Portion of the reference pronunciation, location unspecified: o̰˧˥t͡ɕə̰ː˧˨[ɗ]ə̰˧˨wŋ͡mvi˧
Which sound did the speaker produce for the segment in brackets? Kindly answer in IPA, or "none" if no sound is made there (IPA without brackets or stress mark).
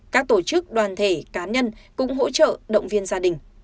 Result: ɗ